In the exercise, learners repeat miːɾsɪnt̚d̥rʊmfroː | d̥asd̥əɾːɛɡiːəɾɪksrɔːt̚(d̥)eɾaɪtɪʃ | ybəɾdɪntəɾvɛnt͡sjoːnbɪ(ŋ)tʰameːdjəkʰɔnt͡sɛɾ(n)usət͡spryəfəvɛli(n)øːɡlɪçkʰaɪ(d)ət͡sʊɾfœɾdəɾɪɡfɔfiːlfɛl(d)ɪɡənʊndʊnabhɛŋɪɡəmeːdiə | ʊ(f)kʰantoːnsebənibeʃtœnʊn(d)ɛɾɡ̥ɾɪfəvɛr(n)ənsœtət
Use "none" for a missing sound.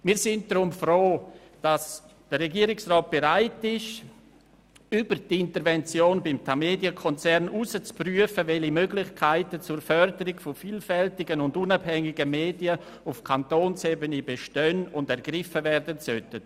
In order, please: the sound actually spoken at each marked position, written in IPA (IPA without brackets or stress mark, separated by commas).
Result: b̥, m, n, m, t, t, f, d, d